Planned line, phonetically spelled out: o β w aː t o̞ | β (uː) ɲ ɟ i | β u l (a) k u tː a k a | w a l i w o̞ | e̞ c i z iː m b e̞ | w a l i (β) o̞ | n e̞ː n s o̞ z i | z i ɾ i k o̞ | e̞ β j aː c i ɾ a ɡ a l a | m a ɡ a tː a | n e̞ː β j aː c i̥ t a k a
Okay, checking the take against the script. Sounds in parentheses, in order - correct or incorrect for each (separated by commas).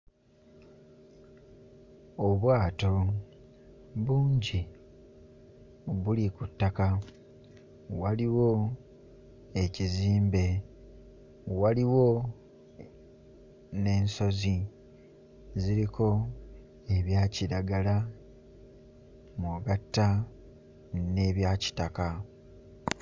correct, incorrect, incorrect